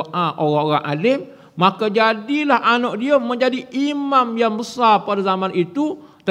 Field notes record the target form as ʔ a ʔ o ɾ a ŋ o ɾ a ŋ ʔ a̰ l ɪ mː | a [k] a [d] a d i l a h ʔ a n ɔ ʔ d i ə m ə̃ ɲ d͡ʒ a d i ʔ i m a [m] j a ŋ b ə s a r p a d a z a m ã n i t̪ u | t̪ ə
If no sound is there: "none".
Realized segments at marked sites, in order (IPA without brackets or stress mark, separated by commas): k, d͡ʒ, m